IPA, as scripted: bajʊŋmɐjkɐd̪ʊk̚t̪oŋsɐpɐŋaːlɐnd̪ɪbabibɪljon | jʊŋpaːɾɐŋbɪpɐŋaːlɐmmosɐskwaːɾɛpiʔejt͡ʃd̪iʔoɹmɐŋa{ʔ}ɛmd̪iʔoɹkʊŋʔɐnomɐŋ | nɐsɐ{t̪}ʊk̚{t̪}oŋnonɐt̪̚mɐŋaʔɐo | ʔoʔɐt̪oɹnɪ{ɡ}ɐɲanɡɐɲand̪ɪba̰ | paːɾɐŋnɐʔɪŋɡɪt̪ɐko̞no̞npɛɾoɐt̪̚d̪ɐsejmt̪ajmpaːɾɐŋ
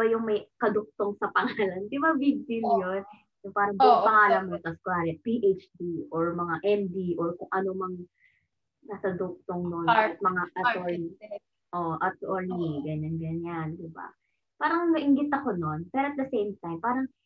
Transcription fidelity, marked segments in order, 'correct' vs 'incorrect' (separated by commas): correct, incorrect, correct, correct